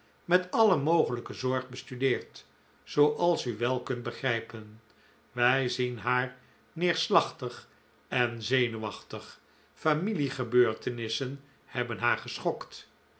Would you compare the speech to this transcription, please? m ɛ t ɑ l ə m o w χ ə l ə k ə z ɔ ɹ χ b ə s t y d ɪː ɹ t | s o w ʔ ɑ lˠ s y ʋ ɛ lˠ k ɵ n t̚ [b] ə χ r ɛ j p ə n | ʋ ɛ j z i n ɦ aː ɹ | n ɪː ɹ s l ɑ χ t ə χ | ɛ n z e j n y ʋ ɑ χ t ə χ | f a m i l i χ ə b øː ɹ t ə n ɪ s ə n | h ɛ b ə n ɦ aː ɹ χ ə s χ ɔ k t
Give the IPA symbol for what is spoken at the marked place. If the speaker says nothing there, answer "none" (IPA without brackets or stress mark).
b